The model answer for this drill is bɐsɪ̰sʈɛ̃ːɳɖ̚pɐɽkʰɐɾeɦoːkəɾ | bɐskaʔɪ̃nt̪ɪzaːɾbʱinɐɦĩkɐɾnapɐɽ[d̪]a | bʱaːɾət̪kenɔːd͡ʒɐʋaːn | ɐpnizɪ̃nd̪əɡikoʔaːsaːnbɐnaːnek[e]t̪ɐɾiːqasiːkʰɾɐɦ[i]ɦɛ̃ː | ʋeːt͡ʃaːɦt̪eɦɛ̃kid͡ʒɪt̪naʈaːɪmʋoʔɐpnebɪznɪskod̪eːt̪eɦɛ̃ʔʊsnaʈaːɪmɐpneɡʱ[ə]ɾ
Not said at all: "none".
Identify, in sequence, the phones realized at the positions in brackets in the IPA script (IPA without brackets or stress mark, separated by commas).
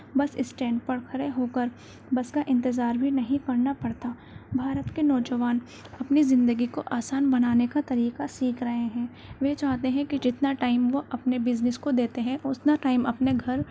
t̪, a, e, ɐ